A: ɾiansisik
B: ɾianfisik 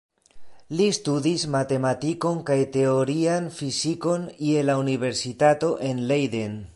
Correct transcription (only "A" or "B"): B